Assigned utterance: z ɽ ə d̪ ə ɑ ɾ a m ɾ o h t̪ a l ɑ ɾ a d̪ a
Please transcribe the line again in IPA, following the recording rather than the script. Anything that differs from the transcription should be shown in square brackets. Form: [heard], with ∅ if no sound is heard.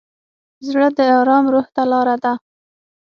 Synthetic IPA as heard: z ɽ ə d̪ ə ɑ ɾ [ɑ] m ɾ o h t̪ a l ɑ ɾ a d̪ a